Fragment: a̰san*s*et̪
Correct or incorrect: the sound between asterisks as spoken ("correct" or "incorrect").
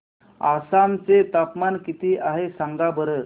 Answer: incorrect